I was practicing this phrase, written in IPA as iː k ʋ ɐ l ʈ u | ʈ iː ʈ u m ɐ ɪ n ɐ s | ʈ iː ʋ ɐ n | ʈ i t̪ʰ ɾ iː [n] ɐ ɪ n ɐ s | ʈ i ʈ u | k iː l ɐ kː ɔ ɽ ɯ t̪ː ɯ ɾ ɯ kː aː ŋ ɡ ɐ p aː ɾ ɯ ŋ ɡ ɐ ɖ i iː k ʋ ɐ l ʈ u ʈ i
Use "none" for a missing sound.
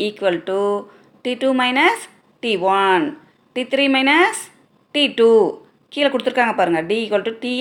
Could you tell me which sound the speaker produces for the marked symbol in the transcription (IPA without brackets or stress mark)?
m